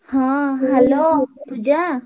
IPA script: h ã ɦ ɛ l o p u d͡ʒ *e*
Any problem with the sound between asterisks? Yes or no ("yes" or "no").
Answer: yes